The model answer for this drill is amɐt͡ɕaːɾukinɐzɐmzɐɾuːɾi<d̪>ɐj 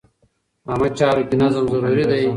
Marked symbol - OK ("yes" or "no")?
yes